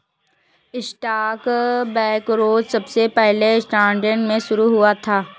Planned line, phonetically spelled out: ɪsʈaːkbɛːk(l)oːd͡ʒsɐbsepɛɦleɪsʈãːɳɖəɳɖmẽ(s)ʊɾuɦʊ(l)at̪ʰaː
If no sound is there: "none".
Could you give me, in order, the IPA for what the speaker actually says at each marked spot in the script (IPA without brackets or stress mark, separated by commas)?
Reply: ɾ, ʃ, none